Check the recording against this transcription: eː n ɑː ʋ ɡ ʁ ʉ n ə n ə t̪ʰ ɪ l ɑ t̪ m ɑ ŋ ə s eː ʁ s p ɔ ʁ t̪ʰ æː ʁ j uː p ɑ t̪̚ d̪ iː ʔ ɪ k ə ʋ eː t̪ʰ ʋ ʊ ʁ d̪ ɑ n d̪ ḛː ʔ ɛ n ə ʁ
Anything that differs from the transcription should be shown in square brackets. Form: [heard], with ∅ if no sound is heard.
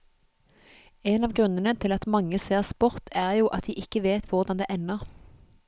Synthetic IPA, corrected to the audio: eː n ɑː ʋ ɡ ʁ ʉ n ə n ə t̪ʰ ɪ l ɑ t̪ m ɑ ŋ ə s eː ʁ s p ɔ ʁ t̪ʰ æː ʁ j uː [ʔ] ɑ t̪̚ d̪ iː ʔ ɪ k ə ʋ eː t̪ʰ ʋ ʊ ʁ d̪ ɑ n d̪ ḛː ʔ ɛ n ə ʁ